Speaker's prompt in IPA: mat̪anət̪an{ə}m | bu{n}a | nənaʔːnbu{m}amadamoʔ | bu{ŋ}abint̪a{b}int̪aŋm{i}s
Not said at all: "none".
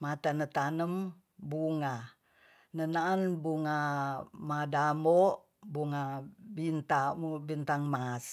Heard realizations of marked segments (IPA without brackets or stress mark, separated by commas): ə, ŋ, ŋ, ŋ, b, a